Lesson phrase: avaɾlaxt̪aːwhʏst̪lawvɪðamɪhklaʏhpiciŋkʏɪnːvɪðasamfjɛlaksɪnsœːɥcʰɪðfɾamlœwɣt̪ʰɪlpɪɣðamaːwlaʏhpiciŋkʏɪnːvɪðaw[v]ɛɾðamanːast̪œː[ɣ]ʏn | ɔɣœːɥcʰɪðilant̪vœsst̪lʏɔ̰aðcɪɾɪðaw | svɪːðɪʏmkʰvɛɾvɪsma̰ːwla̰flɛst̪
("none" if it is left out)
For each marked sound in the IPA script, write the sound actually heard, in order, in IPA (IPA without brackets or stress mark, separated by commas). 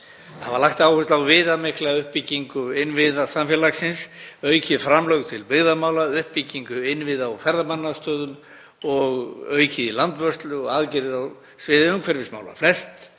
f, ð